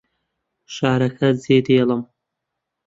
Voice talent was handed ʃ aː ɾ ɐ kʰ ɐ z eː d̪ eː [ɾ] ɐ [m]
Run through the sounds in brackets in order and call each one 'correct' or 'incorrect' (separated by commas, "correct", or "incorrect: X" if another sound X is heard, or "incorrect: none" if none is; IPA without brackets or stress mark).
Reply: incorrect: l, correct